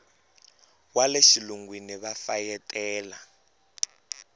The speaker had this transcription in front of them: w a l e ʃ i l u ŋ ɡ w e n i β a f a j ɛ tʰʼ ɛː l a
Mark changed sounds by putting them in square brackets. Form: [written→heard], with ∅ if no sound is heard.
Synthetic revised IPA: w a l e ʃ i l u ŋ ɡ w [e→i] n i β a f a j ɛ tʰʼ ɛː l a